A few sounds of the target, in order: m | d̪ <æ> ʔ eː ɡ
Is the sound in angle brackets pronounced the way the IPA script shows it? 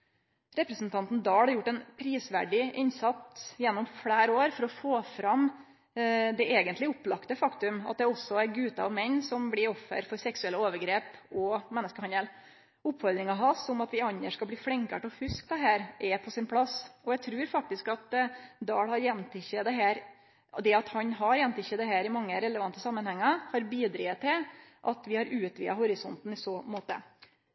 no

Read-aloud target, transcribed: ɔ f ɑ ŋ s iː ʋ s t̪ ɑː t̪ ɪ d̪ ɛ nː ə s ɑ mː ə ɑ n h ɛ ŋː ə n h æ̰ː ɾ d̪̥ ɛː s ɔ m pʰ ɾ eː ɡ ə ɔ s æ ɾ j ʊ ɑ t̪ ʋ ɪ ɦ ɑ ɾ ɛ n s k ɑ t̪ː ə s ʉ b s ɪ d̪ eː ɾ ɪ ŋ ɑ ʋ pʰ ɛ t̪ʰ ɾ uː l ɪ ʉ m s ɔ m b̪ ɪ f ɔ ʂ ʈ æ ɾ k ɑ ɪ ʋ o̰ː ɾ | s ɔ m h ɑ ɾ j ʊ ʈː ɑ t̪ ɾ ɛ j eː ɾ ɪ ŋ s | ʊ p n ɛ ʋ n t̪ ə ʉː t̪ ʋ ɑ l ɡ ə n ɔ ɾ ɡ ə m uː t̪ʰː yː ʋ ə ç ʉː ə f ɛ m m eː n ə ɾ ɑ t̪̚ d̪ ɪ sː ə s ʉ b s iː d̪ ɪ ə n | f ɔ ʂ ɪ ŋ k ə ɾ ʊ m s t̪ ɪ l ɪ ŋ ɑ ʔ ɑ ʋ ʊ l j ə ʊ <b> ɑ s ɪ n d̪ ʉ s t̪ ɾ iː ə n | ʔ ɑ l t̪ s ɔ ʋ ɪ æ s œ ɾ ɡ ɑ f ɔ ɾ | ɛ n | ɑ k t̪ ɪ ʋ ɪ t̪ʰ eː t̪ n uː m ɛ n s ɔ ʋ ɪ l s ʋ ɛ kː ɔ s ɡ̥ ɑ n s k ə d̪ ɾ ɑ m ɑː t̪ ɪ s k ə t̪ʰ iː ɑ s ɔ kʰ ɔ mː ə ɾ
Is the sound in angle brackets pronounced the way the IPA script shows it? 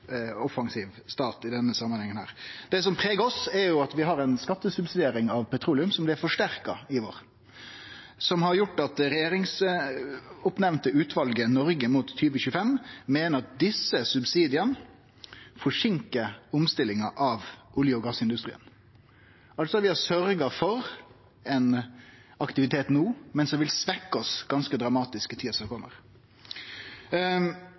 no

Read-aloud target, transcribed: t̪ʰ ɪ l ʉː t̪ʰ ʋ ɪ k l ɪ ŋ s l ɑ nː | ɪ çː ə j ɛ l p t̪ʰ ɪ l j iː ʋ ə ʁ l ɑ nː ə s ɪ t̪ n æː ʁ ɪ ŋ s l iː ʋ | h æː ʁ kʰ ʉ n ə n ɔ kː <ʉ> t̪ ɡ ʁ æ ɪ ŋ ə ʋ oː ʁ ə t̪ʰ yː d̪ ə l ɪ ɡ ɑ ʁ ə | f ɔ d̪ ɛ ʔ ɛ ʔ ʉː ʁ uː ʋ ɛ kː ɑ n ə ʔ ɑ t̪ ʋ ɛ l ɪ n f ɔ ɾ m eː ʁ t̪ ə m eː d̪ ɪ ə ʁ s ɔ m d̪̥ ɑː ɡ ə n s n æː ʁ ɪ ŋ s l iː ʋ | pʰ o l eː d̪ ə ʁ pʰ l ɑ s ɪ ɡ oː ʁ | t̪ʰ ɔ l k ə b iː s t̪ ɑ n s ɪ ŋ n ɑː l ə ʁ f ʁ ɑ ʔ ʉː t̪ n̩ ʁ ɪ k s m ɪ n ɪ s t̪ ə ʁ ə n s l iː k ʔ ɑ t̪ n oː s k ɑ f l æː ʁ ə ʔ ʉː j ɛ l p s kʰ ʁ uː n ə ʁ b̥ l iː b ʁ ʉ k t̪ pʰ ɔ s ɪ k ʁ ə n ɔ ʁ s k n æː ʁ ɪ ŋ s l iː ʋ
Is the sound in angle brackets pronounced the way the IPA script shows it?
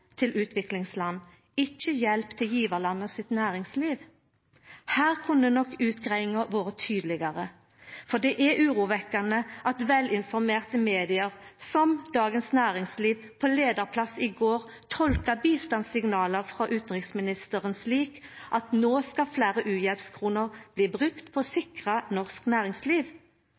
no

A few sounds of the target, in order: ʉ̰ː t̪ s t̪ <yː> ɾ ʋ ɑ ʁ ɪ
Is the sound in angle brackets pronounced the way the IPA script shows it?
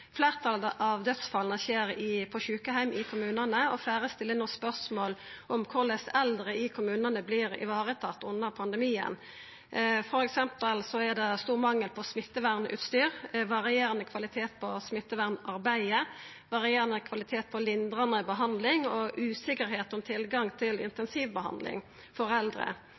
yes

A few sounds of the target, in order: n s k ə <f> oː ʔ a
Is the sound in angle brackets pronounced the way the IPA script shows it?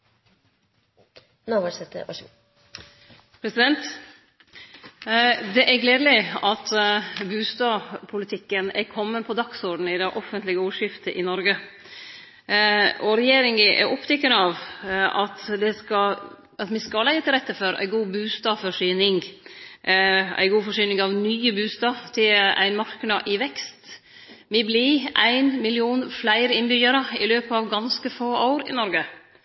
yes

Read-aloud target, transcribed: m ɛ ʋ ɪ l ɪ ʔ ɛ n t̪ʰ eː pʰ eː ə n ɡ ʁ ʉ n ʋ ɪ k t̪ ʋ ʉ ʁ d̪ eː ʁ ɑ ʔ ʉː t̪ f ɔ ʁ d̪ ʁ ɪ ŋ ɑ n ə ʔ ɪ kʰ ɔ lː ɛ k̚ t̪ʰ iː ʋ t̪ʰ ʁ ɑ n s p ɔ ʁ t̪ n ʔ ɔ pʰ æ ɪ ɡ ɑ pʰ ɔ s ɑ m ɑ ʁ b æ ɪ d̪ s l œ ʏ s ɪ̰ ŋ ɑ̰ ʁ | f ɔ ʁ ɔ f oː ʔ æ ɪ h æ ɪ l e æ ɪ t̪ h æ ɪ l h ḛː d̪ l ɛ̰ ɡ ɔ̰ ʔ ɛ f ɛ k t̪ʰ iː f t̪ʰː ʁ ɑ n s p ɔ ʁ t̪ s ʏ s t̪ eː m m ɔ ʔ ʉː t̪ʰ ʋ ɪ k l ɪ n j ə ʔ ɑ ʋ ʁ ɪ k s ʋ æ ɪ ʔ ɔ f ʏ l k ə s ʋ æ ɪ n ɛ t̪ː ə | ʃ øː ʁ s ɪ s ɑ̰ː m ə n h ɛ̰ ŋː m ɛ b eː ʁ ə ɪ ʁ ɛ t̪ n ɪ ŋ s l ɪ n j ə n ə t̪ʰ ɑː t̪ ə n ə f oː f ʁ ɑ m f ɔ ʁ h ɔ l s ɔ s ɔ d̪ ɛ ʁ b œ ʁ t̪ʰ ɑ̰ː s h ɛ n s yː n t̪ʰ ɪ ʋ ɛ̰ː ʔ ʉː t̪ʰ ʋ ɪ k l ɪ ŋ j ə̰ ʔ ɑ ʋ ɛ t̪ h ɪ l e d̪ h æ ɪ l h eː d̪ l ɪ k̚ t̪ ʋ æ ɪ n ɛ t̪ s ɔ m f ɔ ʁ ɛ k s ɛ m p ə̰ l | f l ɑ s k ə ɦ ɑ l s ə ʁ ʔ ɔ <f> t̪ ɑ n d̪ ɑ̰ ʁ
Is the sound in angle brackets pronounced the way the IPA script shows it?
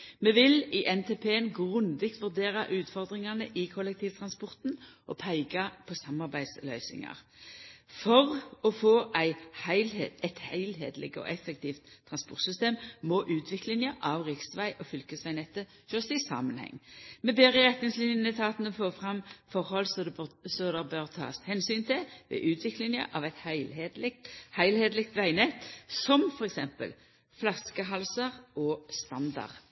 no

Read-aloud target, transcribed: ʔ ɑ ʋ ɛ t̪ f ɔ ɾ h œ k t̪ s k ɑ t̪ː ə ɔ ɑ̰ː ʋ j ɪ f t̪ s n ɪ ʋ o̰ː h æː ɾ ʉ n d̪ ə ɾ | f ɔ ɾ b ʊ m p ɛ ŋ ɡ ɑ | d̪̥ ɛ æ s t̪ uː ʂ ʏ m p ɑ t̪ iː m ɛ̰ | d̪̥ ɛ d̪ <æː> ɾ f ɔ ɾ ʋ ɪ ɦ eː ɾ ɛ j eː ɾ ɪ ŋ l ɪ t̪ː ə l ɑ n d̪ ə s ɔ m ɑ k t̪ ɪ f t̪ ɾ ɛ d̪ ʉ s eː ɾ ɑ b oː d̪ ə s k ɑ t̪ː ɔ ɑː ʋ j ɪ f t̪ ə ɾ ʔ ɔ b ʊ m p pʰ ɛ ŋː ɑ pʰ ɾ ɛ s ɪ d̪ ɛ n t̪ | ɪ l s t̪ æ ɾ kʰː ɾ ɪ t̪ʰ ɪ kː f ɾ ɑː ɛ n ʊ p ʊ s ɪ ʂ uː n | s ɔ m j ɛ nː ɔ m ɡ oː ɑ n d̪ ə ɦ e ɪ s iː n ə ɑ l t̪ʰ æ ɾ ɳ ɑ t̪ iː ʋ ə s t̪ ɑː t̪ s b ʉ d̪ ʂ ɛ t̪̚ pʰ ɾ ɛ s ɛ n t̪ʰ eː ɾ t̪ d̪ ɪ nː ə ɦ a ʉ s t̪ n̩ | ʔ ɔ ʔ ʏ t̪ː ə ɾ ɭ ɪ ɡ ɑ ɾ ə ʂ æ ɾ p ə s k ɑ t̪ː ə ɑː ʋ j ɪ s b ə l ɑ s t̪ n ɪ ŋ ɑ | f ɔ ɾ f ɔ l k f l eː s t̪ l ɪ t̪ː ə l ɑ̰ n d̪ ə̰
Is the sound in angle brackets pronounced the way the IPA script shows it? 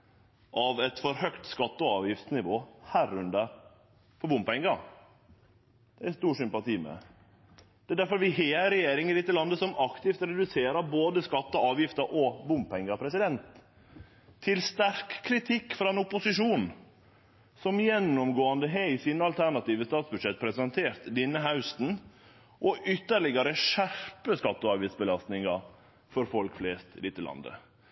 no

